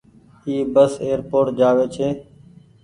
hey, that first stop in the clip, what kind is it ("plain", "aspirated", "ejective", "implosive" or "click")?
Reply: plain